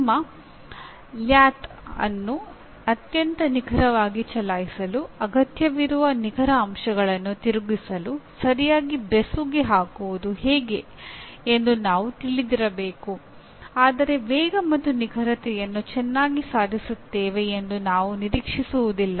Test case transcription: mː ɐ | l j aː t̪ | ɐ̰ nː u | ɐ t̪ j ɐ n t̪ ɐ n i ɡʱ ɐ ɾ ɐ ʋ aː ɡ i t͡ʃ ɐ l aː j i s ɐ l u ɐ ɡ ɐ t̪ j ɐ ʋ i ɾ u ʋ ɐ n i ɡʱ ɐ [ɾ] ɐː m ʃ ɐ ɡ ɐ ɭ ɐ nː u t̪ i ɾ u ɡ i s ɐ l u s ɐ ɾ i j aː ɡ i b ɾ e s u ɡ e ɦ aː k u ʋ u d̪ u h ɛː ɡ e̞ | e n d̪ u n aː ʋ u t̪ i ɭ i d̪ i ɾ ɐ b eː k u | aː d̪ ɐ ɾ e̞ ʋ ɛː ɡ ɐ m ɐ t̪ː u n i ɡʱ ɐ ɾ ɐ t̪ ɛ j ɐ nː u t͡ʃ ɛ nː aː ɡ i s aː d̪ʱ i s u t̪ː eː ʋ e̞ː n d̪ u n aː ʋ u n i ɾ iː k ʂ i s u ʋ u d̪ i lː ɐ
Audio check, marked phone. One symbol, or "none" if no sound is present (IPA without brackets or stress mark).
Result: ɾ